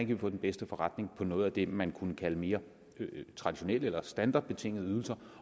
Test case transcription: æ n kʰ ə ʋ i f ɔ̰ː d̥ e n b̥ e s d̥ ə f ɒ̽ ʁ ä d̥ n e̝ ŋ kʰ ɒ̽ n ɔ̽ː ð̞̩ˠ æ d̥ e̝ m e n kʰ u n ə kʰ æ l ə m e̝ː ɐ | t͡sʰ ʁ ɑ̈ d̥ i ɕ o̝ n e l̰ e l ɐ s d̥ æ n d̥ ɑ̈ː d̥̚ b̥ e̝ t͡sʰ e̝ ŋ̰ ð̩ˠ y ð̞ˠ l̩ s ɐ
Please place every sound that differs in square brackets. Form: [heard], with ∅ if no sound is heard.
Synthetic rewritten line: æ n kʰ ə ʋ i f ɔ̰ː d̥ e n b̥ e s d̥ ə f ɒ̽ ʁ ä d̥ n e̝ ŋ [pʰ] ɒ̽ n ɔ̽ː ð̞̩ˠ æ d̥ e̝ m [æ] n kʰ u n ə kʰ æ l ə m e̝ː ɐ | t͡sʰ ʁ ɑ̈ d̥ i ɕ o̝ n e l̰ e l ɐ s d̥ æ n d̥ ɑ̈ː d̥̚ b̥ e̝ t͡sʰ e̝ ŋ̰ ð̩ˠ y ð̞ˠ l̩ s ɐ